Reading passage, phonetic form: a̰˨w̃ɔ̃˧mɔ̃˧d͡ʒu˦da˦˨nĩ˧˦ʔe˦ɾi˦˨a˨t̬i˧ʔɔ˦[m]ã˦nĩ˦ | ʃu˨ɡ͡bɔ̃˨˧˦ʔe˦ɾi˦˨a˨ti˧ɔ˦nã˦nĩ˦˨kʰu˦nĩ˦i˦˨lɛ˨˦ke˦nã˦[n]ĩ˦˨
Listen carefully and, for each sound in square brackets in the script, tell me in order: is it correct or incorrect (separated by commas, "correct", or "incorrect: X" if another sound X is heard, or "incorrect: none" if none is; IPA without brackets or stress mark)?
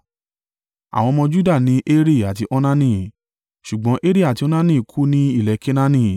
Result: incorrect: n, correct